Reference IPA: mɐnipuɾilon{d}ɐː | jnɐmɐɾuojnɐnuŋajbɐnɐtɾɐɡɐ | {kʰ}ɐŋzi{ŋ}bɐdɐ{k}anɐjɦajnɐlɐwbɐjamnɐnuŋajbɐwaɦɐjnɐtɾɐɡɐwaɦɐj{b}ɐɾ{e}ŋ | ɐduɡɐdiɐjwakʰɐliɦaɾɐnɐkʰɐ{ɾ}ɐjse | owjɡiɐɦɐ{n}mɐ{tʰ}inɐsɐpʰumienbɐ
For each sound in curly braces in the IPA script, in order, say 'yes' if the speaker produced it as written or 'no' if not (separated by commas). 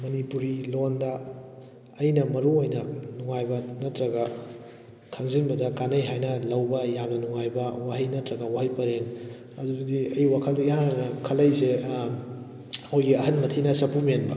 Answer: yes, yes, no, yes, no, yes, no, yes, yes